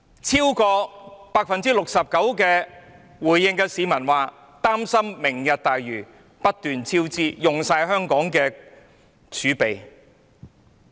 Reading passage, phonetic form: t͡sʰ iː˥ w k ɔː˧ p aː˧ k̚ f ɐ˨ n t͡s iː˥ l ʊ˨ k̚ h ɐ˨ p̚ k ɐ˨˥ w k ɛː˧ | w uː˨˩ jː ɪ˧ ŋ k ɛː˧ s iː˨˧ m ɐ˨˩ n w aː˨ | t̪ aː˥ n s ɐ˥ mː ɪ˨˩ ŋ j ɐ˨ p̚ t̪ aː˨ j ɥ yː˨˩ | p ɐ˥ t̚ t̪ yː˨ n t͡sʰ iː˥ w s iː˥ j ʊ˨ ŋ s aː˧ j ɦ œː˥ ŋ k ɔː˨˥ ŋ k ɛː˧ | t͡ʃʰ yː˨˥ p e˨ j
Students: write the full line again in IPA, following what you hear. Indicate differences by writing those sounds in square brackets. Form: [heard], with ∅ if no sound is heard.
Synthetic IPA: t͡sʰ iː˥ w k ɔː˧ p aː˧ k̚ f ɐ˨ n t͡s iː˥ l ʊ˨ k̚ [s] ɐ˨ p̚ k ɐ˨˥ w k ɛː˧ | w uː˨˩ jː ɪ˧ ŋ k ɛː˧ s iː˨˧ m ɐ˨˩ n w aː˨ | t̪ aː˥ [m] s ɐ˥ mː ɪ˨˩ ŋ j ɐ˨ [t̚] t̪ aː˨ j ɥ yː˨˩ | p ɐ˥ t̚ t̪ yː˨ n t͡sʰ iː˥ w [t͡s] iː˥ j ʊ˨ ŋ s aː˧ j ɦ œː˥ ŋ k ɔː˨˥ ŋ k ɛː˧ | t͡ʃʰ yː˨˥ p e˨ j

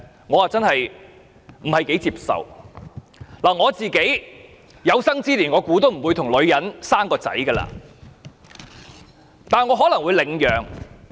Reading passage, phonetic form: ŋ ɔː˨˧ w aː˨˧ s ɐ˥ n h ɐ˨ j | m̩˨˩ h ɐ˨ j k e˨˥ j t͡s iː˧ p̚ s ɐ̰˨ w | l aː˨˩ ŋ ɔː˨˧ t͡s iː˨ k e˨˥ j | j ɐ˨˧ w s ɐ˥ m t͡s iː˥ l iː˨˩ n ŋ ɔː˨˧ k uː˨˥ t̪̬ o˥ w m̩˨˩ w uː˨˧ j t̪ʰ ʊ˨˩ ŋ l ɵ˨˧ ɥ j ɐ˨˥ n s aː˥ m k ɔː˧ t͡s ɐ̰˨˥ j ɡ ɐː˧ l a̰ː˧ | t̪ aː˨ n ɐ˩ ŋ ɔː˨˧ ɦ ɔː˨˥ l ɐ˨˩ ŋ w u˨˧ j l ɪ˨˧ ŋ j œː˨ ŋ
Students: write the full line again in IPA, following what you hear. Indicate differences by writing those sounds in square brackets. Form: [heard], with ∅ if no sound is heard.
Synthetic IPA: ŋ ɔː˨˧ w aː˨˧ [t͡s] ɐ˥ n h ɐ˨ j | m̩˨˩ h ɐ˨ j k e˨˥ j t͡s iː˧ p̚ s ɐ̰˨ w | l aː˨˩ ŋ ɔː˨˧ t͡s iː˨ k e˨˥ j | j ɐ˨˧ w s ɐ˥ [ŋ] t͡s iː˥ l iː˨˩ n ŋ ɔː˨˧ k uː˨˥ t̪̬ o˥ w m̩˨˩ w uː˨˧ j t̪ʰ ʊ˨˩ ŋ l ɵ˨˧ ɥ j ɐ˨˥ n s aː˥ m k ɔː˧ t͡s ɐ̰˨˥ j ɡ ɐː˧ l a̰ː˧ | t̪ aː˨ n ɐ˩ ŋ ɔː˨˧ ɦ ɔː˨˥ l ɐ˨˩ ŋ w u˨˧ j l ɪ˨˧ ŋ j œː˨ ŋ

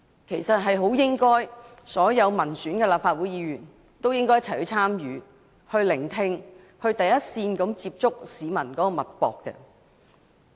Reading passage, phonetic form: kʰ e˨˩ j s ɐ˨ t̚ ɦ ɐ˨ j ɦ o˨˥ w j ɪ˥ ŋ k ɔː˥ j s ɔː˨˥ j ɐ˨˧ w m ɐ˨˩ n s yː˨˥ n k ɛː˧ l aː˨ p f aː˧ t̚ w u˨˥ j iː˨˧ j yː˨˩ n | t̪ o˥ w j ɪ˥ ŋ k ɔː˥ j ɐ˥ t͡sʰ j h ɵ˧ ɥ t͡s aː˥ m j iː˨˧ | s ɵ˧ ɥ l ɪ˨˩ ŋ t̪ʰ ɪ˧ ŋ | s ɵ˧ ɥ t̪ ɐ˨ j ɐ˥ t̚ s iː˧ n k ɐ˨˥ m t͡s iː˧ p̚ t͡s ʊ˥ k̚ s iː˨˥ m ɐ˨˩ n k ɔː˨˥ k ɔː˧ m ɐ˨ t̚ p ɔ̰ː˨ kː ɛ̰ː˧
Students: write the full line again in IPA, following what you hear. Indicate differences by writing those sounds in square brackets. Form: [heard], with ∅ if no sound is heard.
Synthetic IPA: kʰ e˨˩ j s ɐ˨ t̚ ɦ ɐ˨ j ɦ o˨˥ w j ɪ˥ ŋ k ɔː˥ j s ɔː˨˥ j ɐ˨˧ w m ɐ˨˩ n s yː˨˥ n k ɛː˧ l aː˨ p f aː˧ t̚ w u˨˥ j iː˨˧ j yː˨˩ n | t̪ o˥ w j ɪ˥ ŋ k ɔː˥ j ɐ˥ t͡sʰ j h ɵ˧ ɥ [t͡sʰ] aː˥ m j [yː˨˧] | [h] ɵ˧ ɥ l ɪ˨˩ ŋ t̪ʰ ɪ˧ ŋ | [h] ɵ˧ ɥ t̪ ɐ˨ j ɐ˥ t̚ s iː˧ n k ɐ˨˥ m t͡s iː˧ p̚ t͡s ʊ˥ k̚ s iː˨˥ m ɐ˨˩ n k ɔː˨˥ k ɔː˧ m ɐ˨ t̚ p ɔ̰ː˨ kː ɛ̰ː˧

